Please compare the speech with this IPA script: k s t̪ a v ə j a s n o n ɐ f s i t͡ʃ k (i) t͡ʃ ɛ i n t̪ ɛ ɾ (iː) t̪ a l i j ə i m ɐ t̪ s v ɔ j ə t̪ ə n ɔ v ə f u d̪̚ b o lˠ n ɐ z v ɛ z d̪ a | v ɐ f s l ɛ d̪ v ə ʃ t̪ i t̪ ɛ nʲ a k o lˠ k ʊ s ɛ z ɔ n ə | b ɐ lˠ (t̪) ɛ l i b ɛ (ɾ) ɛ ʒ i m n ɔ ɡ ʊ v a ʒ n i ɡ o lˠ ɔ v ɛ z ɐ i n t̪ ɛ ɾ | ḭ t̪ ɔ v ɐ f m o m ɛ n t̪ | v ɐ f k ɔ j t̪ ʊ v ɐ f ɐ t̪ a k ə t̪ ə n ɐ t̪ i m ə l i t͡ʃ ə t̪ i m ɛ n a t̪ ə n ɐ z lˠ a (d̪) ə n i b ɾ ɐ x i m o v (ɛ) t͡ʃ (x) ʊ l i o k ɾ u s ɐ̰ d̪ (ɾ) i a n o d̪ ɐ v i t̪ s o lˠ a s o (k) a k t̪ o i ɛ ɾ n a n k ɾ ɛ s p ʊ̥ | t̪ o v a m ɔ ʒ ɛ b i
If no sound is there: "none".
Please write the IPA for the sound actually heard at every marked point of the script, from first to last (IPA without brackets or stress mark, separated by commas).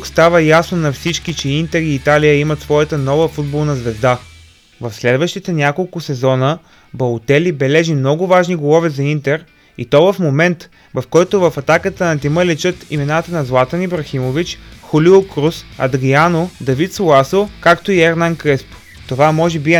i, iː, t̪, l, t̪, i, x, ɾ, k